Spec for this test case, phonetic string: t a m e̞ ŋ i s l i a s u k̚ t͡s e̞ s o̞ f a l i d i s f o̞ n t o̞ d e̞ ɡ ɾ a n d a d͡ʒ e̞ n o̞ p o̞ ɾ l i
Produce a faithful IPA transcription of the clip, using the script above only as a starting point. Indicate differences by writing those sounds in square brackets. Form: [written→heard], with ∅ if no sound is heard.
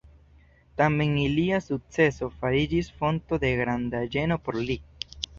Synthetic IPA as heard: t a m e̞ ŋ i [s→∅] l i a s u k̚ t͡s e̞ s o̞ f a [l→ɾ] i [d→d͡ʒ] i s f o̞ n t o̞ d e̞ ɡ ɾ a n d a d͡ʒ e̞ n o̞ p o̞ ɾ l i